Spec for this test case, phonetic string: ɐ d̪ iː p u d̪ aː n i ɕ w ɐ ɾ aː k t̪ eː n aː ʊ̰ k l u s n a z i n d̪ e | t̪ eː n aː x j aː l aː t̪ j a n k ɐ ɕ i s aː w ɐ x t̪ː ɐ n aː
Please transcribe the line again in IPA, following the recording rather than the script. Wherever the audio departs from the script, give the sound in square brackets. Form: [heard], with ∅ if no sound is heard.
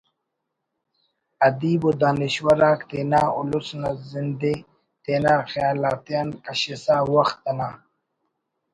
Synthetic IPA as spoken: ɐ d̪ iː [b] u d̪ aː n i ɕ w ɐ ɾ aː k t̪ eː n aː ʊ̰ [∅] l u s n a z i n d̪ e | t̪ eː n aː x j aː l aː t̪ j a n k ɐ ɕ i s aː w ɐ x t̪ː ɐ n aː

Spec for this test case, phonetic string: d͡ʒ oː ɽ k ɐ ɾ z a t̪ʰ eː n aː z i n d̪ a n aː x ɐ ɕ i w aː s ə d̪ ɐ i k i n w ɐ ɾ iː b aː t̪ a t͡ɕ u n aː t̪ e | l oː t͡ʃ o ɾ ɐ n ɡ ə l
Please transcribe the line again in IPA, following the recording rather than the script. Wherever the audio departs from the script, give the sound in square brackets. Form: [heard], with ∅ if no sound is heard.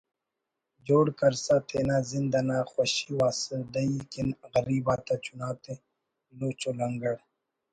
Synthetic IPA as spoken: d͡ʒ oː ɽ k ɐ ɾ [s] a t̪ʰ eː n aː z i n d̪ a n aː x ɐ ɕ i w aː s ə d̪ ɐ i k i n [ɣ] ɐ ɾ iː b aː t̪ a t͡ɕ u n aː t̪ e | l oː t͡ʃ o [l] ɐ [ŋ] ɡ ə [ɽ]

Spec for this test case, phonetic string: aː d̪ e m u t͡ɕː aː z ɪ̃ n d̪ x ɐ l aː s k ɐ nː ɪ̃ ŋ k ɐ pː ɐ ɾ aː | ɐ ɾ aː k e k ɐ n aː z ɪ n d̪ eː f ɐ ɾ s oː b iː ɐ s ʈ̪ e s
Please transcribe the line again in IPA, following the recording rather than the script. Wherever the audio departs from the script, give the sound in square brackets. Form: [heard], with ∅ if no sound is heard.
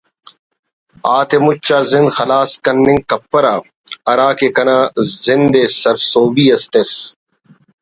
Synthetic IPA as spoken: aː [t̪] e m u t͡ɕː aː z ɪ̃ n d̪ x ɐ l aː s k ɐ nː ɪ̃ ŋ k ɐ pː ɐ ɾ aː | ɐ ɾ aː k e k ɐ n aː z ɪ n d̪ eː [s] ɐ ɾ s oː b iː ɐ s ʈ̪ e s

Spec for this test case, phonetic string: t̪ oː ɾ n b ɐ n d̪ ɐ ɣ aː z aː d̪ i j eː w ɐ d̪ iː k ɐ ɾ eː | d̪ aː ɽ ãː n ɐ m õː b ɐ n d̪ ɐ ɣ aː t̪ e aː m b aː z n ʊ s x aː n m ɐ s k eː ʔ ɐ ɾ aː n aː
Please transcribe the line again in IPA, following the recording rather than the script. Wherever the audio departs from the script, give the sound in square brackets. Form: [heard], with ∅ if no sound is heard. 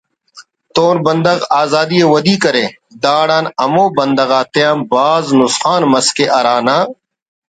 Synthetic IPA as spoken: t̪ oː [∅] n b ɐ n d̪ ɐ ɣ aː z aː d̪ i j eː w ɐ d̪ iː k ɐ ɾ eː | d̪ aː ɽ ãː n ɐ m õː b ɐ n d̪ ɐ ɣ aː t̪ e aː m b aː z n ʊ s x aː n m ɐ s k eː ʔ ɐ ɾ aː n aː

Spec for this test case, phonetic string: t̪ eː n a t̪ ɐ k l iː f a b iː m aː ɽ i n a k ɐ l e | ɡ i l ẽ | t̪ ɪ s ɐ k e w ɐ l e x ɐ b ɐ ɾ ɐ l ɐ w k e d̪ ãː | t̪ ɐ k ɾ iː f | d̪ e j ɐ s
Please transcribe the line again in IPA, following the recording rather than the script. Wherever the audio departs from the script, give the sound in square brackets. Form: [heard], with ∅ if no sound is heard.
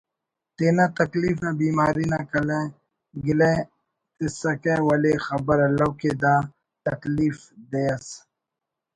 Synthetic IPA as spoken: t̪ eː n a t̪ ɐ k l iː f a b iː m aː [ɾ] i n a k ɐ l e | ɡ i l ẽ | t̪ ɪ s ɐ k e w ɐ l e x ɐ b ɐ ɾ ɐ l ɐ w k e d̪ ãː | t̪ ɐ k [l] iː f | d̪ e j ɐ s

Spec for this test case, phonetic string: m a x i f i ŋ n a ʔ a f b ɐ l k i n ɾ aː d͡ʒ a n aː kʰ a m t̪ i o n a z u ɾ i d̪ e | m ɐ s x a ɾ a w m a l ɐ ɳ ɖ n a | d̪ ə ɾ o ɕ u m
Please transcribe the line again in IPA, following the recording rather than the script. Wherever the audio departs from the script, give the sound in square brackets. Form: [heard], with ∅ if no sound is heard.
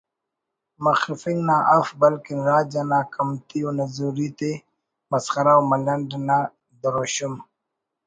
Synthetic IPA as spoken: m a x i f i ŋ n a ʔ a f b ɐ l k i n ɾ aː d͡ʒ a n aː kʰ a m t̪ i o n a z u ɾ i [t̪] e | m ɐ s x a ɾ a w m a l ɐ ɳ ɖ n a | d̪ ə ɾ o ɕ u m

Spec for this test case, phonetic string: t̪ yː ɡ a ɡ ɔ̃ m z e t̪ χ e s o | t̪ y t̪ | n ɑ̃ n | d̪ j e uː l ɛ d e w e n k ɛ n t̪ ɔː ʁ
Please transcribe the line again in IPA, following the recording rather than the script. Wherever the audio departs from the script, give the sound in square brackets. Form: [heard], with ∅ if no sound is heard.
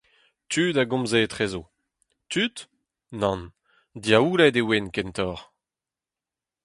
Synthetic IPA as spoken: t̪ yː [d] a ɡ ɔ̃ m z e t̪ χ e [z] o | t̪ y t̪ | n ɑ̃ n | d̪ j [a] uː l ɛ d e w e n k ɛ n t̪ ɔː ʁ

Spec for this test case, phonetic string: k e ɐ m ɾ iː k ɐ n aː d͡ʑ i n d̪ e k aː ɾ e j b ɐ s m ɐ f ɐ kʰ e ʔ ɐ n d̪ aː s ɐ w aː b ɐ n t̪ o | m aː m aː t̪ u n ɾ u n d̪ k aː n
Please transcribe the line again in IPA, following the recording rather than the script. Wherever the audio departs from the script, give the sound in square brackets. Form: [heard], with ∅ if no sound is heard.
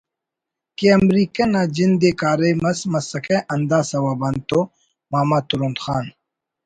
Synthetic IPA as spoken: k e ɐ m ɾ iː k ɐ n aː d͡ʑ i n d̪ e k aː ɾ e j [m] ɐ s m ɐ [s] ɐ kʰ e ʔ ɐ n d̪ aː s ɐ w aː b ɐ n t̪ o | m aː m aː t̪ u [∅] ɾ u n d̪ [x] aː n

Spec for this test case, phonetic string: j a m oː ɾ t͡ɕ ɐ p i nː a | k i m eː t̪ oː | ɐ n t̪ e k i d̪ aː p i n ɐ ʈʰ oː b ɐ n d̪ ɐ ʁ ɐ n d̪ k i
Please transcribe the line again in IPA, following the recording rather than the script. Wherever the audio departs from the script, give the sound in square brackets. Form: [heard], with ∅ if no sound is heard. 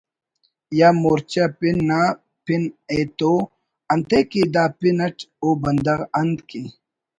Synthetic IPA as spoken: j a m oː ɾ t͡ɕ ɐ p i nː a | [p] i [n] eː t̪ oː | ɐ n t̪ e k i d̪ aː p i n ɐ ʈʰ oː b ɐ n d̪ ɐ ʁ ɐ n d̪ k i

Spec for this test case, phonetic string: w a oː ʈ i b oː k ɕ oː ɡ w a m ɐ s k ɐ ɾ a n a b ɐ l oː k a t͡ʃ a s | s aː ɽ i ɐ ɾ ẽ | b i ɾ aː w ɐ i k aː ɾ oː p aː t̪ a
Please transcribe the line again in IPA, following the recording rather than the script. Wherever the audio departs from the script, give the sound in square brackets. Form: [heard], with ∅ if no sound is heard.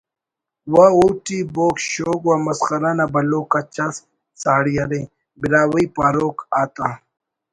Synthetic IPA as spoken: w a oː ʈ i b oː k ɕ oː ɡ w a m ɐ s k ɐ ɾ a n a b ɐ l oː k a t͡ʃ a s | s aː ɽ i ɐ ɾ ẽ | b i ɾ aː w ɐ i [p] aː ɾ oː [k] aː t̪ a

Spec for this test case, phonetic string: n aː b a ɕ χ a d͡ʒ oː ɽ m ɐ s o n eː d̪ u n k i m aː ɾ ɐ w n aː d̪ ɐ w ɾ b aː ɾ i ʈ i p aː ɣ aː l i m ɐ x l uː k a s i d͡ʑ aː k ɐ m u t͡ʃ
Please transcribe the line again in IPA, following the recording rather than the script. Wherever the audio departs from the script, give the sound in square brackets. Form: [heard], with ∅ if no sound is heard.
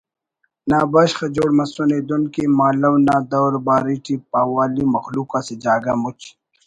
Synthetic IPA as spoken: n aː b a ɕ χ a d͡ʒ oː ɽ m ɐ s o n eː d̪ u n k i m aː [l] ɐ w n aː d̪ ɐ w ɾ b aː ɾ i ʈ i p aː [w] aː l i m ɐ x l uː k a s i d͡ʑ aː [ɡ] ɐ m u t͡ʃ

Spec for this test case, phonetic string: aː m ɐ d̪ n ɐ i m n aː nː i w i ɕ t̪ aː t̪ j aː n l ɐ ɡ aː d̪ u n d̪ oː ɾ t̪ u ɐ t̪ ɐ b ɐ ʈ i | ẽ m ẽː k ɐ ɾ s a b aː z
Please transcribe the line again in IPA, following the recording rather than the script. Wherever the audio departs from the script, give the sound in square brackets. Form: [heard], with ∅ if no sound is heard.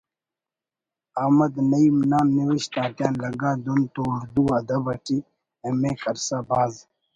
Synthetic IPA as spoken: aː m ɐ d̪ n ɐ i m n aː nː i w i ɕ t̪ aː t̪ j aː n l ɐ ɡ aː d̪ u n [t̪] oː ɾ [d̪] u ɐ [d̪] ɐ b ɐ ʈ i | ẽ m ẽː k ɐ ɾ s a b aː z

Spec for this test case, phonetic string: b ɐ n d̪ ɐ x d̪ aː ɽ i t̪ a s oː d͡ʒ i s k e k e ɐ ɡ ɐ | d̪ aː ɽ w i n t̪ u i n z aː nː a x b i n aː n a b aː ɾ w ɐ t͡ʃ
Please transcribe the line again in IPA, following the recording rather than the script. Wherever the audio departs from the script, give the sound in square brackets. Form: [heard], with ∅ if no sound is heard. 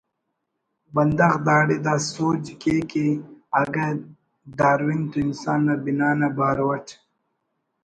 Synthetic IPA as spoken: b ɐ n d̪ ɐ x d̪ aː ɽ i [d̪] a s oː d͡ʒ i [∅] k e k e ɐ ɡ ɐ | d̪ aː [ɾ] w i n t̪ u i n [s] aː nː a [∅] b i n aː n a b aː ɾ w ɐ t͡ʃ

